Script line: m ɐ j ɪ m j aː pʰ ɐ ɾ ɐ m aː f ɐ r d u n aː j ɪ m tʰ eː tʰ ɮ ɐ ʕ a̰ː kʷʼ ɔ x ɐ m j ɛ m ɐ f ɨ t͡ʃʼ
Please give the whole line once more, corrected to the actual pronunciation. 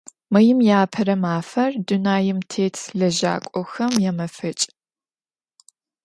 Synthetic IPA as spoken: m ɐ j ɪ m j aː pʰ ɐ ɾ ɐ m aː f ɐ r d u n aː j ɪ m tʰ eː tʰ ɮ ɐ ʒ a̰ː kʷʼ ɔ x ɐ m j ɛ m ɐ f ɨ t͡ʃʼ